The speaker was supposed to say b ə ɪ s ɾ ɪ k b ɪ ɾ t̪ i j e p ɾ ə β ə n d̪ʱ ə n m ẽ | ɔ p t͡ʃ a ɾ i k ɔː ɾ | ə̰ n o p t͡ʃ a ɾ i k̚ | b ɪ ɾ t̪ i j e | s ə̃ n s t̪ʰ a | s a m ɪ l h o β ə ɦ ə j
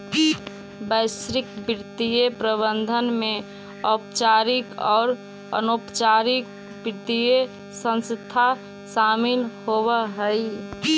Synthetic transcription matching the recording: b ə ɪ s ɾ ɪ k b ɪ ɾ t̪ i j e p ɾ ə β ə n d̪ʱ ə n m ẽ | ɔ p t͡ʃ a ɾ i k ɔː ɾ | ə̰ n o p t͡ʃ a ɾ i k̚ | b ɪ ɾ t̪ i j e | s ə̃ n s t̪ʰ a | s a m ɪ l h o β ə ɦ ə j